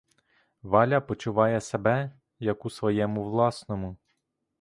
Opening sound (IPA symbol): ʋ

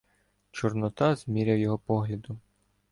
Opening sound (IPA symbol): t͡ʃ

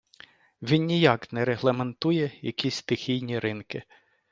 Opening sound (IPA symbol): ʋʲ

